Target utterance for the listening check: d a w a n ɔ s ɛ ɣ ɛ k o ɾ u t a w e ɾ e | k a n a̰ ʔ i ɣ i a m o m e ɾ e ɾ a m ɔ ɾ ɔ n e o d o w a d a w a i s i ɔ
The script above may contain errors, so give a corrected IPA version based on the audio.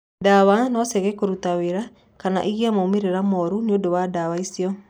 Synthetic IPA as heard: d a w a n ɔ s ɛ ɣ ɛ k o ɾ u t a w e ɾ a | k a n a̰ ʔ i ɣ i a m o m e ɾ e ɾ a m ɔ ɾ u n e o d o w a d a w a i s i ɔ